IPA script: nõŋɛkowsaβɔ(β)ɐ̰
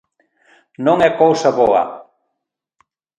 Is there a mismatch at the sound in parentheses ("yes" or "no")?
yes